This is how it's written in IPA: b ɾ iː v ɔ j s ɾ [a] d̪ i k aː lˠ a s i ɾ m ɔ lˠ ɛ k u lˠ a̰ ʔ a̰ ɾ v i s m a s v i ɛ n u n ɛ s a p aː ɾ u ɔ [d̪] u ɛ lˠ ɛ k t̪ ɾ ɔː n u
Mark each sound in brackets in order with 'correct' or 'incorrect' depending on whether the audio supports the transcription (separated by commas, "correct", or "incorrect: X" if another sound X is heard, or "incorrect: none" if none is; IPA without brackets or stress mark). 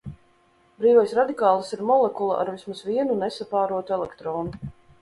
correct, incorrect: t̪